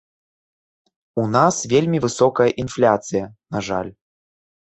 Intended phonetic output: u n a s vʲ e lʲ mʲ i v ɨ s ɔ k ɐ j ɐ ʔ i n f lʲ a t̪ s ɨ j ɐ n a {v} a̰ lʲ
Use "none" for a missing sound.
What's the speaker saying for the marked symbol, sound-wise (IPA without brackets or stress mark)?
ʐ